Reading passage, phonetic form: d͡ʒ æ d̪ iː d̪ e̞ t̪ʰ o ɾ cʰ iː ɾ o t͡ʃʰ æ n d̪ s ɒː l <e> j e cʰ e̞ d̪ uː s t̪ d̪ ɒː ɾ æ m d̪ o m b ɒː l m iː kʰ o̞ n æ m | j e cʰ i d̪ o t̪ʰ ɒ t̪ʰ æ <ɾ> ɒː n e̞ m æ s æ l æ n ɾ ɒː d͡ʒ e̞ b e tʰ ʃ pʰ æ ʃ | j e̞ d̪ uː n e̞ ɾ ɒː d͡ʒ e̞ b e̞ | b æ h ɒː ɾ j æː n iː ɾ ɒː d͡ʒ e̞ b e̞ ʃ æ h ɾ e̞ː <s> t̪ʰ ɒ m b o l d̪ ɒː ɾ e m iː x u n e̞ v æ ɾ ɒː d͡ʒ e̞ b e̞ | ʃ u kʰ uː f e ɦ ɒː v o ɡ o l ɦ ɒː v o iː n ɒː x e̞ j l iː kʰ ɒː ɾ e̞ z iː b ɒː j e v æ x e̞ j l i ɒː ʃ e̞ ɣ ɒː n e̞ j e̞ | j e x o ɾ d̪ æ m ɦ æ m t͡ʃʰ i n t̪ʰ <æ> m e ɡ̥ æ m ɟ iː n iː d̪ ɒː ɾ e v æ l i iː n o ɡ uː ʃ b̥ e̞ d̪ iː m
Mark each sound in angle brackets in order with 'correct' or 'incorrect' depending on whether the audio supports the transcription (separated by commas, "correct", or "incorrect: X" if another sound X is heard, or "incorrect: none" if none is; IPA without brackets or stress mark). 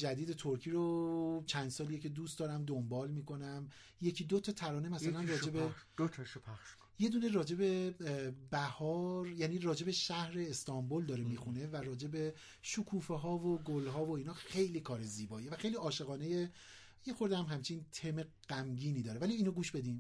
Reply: incorrect: i, correct, correct, incorrect: e